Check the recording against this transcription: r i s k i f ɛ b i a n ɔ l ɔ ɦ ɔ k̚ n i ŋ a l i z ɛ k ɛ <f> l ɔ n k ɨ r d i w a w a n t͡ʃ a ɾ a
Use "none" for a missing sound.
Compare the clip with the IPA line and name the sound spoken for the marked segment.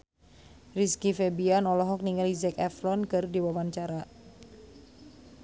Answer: f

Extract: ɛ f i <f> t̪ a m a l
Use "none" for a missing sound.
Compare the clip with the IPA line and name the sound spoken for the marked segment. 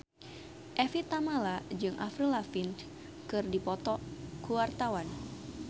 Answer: none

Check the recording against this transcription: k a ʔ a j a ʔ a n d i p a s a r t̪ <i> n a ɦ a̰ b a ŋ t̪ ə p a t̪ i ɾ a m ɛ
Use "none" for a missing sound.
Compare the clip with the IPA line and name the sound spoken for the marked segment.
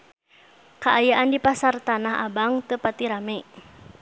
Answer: a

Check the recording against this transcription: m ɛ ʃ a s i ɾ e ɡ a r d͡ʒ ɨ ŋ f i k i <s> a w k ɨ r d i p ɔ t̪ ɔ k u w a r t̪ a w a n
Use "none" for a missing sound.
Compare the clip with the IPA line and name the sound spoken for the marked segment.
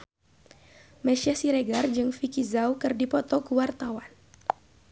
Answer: z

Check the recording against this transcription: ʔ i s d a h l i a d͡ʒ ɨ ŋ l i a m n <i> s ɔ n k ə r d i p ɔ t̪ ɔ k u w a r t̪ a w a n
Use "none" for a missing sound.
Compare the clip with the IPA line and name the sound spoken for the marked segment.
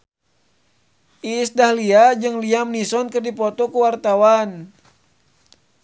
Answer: i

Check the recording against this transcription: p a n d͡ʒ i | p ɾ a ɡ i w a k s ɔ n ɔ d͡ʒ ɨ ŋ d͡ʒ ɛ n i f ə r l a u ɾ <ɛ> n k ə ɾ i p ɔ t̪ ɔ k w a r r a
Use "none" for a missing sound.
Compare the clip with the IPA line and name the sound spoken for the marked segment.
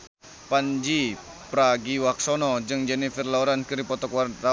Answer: a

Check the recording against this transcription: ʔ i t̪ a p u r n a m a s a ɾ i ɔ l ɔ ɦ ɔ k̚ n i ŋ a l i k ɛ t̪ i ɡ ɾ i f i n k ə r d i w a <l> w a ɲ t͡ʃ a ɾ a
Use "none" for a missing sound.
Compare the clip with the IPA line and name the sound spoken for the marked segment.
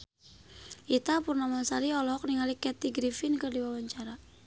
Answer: none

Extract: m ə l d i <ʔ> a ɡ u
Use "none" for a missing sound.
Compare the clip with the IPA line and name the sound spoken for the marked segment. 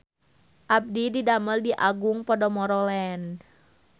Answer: ʔ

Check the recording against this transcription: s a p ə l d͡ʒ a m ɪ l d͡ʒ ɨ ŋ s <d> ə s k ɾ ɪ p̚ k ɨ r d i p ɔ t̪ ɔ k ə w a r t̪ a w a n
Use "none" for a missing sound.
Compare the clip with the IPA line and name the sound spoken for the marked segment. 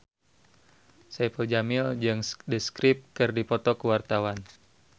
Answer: d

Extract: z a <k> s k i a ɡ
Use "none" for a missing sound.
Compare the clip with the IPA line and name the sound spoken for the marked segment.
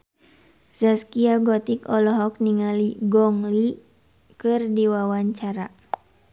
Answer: none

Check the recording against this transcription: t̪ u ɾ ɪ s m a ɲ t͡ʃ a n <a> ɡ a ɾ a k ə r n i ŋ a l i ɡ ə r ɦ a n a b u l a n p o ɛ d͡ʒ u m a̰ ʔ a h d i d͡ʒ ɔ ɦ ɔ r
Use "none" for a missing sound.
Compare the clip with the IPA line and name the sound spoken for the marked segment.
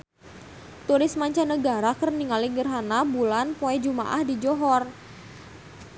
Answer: ə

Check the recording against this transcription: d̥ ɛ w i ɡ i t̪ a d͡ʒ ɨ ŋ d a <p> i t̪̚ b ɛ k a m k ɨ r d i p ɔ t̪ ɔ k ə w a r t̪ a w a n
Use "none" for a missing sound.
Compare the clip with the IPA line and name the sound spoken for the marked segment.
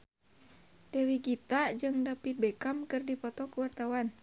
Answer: p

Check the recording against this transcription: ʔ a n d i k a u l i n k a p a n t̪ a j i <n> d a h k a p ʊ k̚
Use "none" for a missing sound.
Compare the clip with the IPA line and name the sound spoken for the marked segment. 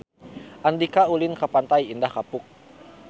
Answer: n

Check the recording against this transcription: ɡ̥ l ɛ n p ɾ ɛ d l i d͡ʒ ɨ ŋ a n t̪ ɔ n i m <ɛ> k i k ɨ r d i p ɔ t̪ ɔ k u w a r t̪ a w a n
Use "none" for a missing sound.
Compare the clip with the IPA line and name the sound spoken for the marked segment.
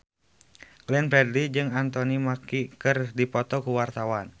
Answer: a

